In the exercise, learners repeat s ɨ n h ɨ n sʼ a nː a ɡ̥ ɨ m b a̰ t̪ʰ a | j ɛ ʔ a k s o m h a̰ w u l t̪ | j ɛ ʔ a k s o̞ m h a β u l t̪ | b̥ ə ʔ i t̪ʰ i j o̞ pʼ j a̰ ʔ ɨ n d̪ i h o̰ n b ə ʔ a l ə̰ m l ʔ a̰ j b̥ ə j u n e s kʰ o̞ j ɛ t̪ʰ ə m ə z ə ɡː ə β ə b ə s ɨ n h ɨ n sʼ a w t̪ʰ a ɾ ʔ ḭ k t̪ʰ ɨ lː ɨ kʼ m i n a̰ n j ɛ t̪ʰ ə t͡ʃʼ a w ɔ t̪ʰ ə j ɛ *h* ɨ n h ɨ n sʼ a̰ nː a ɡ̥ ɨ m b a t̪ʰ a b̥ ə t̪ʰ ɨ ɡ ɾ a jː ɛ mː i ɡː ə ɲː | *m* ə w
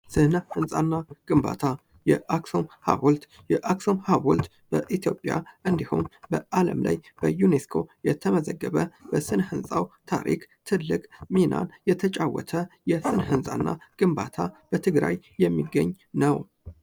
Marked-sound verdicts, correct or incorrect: incorrect: s, incorrect: n

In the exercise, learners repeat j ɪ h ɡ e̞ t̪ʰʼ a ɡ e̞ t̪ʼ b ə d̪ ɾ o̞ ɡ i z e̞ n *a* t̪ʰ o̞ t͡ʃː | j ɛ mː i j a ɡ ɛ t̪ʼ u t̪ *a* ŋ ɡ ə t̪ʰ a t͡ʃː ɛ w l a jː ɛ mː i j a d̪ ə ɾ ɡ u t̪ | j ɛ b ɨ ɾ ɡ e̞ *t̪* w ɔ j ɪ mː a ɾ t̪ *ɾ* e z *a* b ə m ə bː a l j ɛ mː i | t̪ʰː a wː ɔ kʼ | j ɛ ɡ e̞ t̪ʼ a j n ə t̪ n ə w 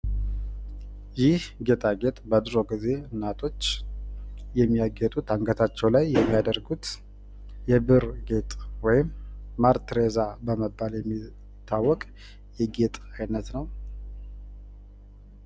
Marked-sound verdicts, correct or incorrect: correct, correct, incorrect: t̪ʼ, correct, correct

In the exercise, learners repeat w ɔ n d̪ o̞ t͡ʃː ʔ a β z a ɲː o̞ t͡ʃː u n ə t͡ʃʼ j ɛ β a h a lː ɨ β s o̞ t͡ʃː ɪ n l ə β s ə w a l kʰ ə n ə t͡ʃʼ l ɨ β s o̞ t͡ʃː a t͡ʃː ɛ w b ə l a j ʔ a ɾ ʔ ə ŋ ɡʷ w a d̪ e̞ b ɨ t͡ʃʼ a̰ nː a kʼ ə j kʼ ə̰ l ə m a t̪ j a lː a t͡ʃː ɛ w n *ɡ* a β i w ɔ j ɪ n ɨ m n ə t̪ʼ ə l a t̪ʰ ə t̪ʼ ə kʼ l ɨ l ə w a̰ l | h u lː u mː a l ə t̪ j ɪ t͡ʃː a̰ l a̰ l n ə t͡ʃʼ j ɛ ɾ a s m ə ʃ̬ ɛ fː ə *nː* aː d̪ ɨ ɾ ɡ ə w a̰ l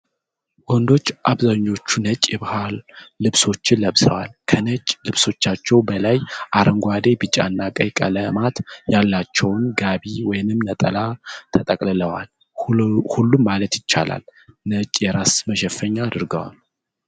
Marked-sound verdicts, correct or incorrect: correct, incorrect: ɲː

